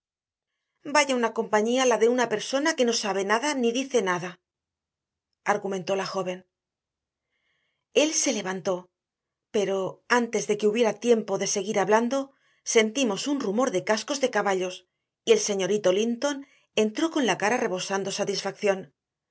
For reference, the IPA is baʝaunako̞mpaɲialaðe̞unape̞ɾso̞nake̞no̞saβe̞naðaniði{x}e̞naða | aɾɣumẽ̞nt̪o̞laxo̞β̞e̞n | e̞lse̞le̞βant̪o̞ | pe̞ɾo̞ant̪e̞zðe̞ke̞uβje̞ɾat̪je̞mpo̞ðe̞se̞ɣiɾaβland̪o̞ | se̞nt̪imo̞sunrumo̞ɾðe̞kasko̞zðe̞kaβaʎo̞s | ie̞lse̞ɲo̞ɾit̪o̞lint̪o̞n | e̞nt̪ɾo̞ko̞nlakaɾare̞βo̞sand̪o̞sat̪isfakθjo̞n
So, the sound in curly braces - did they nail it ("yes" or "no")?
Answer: no